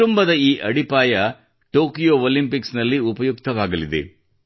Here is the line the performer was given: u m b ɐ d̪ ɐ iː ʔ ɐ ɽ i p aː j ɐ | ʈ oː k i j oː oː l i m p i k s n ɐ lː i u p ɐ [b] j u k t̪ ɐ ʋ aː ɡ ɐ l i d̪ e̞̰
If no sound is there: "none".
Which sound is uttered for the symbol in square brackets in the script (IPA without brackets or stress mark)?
none